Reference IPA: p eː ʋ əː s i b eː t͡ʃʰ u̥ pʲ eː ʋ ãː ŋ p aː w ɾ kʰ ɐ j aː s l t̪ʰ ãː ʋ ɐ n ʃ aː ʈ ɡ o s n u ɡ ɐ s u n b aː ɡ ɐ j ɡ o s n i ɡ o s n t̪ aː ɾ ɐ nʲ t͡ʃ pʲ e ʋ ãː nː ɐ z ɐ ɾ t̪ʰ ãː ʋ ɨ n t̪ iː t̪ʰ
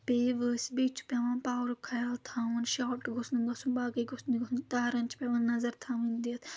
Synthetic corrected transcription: p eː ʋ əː s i b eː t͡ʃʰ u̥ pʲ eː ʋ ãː n p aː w ɾ kʰ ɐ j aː l t̪ʰ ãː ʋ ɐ n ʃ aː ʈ ɡ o s n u ɡ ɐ s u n b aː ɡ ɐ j ɡ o s n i ɡ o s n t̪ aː ɾ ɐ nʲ t͡ʃ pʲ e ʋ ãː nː ɐ z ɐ ɾ t̪ʰ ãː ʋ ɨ n d̪ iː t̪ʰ